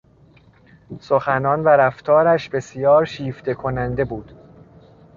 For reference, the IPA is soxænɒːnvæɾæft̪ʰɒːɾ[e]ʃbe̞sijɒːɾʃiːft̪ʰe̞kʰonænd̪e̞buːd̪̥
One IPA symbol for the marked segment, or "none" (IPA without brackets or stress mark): æ